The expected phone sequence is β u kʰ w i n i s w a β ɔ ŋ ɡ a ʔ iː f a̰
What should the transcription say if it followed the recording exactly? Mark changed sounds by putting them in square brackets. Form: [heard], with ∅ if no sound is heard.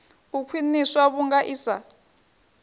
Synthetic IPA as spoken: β u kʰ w i n i s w a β [u] ŋ ɡ a ʔ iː [s] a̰

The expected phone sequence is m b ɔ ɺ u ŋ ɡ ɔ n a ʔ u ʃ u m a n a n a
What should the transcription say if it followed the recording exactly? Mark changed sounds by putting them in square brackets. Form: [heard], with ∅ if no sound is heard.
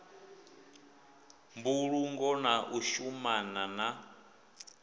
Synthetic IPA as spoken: m b [u] ɺ u ŋ ɡ ɔ n a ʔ u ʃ u m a n a n a

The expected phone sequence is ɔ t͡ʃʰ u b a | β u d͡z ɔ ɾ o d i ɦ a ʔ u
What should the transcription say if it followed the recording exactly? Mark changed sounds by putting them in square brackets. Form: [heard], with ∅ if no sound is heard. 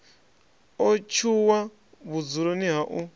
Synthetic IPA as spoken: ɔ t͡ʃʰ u [w] a | β u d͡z [u] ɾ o [n] i ɦ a ʔ u

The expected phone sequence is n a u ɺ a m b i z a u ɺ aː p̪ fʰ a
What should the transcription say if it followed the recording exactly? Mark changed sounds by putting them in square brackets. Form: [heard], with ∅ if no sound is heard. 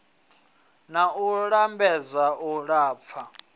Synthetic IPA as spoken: n a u ɺ a m b [ɛ] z a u ɺ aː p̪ fʰ a

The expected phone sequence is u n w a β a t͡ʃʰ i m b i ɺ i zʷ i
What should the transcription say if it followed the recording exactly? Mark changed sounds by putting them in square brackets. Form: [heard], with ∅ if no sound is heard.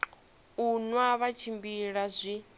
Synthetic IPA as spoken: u n w a β a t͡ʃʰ i m b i ɺ [a] zʷ i

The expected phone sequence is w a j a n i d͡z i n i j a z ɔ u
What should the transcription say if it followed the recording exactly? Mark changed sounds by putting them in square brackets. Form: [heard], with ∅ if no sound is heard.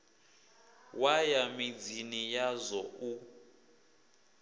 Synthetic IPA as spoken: w a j a [m] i d͡z i n i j a z ɔ u

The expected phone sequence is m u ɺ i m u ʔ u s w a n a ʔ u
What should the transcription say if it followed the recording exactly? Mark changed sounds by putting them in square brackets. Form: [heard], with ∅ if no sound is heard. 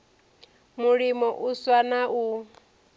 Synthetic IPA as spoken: m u ɺ i m [ɔ] ʔ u s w a n a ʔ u

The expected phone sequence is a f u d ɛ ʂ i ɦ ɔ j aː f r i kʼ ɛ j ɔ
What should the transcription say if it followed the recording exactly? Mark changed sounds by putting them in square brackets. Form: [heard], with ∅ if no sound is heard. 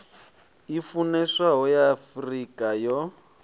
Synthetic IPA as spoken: [i] f u [n] ɛ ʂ [a] ɦ ɔ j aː f r i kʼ [a] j ɔ

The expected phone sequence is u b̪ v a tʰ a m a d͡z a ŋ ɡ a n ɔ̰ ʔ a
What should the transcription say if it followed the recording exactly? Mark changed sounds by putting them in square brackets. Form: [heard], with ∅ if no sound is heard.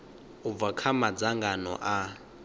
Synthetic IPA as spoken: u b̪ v a [kʰ] a m a d͡z a ŋ ɡ a n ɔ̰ ʔ a

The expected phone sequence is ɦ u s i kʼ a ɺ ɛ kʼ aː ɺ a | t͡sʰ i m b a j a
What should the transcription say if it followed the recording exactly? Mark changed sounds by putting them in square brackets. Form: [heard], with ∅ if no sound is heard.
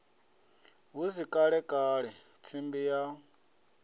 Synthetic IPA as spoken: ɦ u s i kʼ a ɺ ɛ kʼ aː ɺ [ɛ] | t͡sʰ i m b [i] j a

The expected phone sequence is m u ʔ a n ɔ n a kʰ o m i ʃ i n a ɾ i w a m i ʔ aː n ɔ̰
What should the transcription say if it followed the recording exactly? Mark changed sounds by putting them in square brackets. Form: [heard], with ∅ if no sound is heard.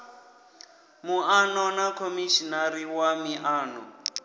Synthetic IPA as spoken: m u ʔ a n ɔ n a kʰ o m i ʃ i n a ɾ i w a m i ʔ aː n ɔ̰

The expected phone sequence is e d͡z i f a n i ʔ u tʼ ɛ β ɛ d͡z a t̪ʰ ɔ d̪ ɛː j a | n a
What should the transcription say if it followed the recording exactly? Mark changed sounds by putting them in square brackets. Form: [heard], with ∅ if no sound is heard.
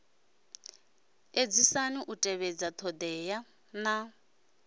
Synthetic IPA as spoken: e d͡z i [s] a n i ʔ u tʼ ɛ β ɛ d͡z a t̪ʰ ɔ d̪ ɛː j a | n a

